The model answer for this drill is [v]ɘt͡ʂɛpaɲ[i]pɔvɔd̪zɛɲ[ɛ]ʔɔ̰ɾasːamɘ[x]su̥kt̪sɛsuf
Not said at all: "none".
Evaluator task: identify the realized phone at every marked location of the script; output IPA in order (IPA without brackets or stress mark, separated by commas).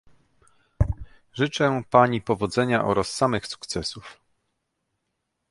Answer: ʐ, i, a, x